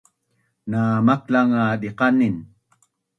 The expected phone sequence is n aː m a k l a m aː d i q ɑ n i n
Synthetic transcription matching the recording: n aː m a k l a ŋ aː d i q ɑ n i n